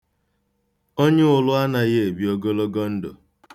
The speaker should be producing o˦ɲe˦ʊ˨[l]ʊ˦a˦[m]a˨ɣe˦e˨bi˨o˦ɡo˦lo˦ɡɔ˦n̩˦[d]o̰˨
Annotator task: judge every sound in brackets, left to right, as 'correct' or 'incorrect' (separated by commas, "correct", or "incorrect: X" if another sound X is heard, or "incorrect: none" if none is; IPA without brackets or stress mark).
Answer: correct, incorrect: n, correct